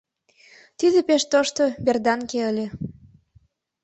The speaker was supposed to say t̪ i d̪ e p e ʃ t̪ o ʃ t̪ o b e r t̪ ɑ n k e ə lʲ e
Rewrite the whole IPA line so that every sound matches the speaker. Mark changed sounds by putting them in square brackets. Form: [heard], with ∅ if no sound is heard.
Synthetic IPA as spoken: t̪ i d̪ e p e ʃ t̪ o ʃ t̪ o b e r [d̪] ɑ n k e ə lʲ e